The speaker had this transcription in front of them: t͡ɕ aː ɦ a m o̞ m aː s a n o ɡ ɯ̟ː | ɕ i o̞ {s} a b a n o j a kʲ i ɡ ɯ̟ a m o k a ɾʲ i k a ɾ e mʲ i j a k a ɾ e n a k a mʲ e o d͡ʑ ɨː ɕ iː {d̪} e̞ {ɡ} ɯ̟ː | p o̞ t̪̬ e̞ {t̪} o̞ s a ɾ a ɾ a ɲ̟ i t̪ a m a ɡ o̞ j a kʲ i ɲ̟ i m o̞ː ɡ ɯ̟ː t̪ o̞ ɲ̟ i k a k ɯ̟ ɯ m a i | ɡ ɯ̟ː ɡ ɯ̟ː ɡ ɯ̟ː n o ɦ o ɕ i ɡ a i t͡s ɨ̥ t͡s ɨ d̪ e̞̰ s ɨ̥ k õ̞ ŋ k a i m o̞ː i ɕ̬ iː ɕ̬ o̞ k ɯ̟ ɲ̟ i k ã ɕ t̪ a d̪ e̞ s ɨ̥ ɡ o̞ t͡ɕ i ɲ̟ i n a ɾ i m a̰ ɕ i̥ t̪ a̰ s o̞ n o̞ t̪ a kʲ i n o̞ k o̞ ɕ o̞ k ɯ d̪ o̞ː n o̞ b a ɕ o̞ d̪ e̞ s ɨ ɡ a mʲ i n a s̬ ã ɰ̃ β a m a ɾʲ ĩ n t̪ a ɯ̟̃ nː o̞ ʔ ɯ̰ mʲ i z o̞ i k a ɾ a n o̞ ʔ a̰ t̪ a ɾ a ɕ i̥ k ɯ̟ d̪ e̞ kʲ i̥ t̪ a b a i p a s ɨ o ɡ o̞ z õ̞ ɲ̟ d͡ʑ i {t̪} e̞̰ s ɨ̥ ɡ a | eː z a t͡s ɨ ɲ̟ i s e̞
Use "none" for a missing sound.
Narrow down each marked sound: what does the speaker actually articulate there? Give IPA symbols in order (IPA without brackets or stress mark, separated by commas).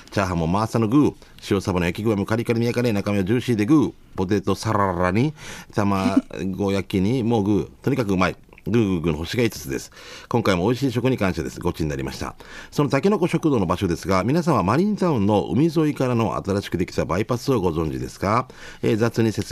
s, d̪, ɡ, t̪, d̪